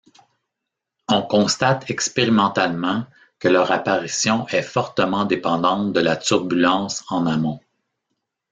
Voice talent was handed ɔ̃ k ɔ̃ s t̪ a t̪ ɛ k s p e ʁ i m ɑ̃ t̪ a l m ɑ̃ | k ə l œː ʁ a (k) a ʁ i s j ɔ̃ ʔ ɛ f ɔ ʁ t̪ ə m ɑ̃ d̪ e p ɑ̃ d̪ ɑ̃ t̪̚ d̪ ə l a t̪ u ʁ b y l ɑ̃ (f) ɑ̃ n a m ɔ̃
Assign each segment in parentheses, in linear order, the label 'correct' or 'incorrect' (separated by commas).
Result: incorrect, incorrect